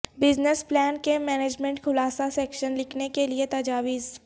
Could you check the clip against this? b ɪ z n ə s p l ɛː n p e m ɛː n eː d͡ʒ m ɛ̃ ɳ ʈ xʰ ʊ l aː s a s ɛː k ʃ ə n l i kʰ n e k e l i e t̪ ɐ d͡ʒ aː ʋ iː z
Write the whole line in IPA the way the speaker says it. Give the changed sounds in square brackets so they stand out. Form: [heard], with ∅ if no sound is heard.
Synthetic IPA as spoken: b ɪ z n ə s p l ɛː n [k] e m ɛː n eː d͡ʒ m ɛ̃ ɳ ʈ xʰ ʊ l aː s a s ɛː k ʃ ə n l [ɪ] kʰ n e k e l i e t̪ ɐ d͡ʒ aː ʋ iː z

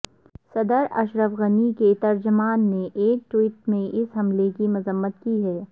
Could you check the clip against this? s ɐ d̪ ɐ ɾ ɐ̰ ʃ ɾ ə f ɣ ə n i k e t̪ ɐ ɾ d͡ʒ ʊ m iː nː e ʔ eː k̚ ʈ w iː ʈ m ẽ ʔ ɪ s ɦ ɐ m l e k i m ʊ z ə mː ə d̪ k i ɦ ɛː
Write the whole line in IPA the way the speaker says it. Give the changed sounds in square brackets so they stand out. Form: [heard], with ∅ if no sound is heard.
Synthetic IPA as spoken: s ɐ d̪ [ə] ɾ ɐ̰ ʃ ɾ ə f ɣ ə n i k e t̪ ɐ ɾ d͡ʒ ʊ m [aː] nː e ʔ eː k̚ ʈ w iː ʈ m ẽ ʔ ɪ s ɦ ɐ m l e k i m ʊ z ə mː ə [t̪] k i ɦ ɛː

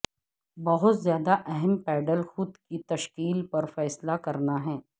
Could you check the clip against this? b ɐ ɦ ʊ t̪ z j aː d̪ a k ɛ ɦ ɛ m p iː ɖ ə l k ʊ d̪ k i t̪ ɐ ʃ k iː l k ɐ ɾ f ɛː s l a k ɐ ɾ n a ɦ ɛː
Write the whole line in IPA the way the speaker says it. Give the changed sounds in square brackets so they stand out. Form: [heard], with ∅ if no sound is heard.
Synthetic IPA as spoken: b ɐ ɦ ʊ t̪ z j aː d̪ a [ʔ] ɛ ɦ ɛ m p [ɛː] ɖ ə l [x] ʊ d̪ k i t̪ ɐ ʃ k iː l [p] ɐ ɾ f ɛː s l a k ɐ ɾ n a ɦ ɛː

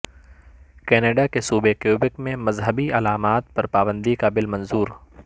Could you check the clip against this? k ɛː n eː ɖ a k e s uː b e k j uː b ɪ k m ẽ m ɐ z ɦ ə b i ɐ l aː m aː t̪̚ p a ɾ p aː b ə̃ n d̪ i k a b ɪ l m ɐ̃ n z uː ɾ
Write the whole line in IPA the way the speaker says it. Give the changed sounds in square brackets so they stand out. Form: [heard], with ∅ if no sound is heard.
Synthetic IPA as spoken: k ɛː n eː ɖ a k e s uː b e k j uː b ɪ k m ẽ m ɐ z ɦ ə b i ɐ l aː m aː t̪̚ p [ɐ] ɾ p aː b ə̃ n d̪ i k a b ɪ l m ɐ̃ n z uː ɾ

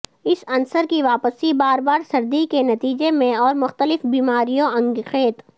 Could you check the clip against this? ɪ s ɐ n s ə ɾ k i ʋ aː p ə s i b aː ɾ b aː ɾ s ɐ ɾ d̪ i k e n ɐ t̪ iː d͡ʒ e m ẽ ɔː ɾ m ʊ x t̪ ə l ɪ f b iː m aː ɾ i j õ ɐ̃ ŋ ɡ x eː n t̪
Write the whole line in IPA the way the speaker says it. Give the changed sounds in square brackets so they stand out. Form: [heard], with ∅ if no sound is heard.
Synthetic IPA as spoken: ɪ s ɐ n s ə ɾ k i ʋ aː p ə s i b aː ɾ b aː ɾ s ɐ ɾ d̪ i k e n ɐ t̪ iː d͡ʒ e m ẽ ɔː ɾ m ʊ x t̪ ə l ɪ f b iː m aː ɾ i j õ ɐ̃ ŋ ɡ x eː [∅] t̪

